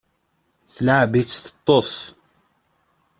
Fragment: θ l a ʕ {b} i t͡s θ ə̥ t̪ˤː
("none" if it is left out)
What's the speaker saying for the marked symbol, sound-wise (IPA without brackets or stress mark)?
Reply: b